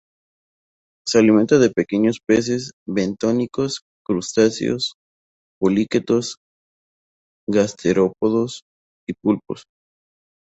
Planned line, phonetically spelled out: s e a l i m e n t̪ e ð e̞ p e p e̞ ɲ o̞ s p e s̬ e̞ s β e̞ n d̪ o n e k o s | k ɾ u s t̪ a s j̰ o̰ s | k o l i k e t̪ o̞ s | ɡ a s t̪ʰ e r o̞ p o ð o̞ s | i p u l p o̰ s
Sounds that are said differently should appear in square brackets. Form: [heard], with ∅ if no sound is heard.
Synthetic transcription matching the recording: s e a l i m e n t̪ [a] ð e̞ p e [k] e̞ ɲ o̞ s p e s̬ e̞ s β e̞ n [t̪] o n [i] k o s | k ɾ u s t̪ a s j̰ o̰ s | [p] o l i k e t̪ o̞ s | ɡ a s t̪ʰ e [ɾ] o̞ p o ð o̞ s | i p u l p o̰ s